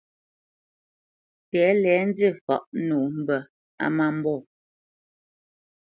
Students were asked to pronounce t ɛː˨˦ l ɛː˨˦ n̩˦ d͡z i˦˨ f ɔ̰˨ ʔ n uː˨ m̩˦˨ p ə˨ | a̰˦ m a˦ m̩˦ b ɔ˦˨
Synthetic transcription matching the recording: t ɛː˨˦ l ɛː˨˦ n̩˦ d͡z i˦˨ f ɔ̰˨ ʔ n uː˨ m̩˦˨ b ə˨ | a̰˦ m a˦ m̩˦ b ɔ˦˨